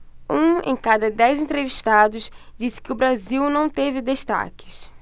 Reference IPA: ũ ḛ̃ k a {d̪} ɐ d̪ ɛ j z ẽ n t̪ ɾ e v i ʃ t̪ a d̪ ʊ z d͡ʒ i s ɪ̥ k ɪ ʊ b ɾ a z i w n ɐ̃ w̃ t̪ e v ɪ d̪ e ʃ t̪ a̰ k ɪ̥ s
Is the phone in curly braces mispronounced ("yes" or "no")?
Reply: no